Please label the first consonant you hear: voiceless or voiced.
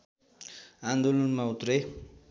voiced